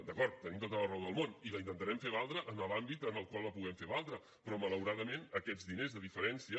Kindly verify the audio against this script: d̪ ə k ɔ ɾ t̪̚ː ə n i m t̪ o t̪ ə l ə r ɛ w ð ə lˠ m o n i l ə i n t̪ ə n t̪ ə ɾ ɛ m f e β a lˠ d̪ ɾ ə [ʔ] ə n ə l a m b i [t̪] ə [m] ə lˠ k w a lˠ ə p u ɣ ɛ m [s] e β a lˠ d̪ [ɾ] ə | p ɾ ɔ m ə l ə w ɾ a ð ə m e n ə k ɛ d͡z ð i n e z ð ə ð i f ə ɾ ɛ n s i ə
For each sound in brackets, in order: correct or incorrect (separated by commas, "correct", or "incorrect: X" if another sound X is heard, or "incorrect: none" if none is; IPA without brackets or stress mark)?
correct, correct, incorrect: n, incorrect: f, correct